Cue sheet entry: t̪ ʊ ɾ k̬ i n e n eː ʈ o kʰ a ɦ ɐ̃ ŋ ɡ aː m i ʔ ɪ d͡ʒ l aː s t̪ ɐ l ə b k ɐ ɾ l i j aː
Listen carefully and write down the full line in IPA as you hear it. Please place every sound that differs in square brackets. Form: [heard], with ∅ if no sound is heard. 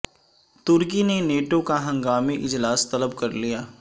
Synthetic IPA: t̪ ʊ ɾ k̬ i n e n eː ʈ o [k] a ɦ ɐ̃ ŋ ɡ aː m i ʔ ɪ d͡ʒ l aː s t̪ ɐ l ə b k ɐ ɾ l i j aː